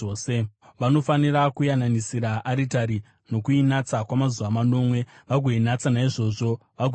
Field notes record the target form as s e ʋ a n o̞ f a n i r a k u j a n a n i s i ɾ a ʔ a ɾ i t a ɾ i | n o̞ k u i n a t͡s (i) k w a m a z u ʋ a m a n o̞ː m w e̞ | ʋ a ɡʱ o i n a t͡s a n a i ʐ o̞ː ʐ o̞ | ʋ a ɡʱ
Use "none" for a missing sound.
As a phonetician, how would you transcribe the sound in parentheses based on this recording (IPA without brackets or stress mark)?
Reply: a